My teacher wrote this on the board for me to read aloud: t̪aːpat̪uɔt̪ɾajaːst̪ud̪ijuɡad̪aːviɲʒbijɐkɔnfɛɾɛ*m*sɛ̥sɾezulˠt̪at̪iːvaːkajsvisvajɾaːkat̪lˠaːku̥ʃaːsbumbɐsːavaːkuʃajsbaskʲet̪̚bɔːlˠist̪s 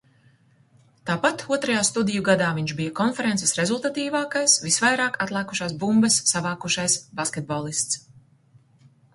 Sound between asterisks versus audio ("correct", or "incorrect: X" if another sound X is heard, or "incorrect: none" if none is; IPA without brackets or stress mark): incorrect: n